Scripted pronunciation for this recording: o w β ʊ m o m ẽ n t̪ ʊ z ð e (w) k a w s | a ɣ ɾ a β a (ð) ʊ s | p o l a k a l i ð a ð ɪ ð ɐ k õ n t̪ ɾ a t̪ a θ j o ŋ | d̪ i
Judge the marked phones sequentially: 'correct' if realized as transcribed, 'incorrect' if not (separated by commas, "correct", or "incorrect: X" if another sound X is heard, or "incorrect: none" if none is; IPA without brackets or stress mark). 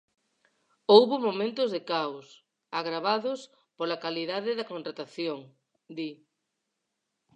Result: incorrect: none, correct